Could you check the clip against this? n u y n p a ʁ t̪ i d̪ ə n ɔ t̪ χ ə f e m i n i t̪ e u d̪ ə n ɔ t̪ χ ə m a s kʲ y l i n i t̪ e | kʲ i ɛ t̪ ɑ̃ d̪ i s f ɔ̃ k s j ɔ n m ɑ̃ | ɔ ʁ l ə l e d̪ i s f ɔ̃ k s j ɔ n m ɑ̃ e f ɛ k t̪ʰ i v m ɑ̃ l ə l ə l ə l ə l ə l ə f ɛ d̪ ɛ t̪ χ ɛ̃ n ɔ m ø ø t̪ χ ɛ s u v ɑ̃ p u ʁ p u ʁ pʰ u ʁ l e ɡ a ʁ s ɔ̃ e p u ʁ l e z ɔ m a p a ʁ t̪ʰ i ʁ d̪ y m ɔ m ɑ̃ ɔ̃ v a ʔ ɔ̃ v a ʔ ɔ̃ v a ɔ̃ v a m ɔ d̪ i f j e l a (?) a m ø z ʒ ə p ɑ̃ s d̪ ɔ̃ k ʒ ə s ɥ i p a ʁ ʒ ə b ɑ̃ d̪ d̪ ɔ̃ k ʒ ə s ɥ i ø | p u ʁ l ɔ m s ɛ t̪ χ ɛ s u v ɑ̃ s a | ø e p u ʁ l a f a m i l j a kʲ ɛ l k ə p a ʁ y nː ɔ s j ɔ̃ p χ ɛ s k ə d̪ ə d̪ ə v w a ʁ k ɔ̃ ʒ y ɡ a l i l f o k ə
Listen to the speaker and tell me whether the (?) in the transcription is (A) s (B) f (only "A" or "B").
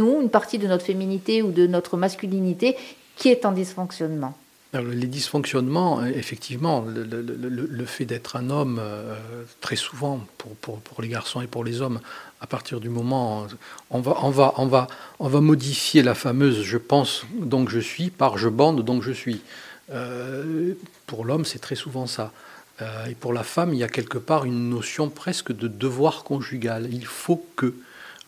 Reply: B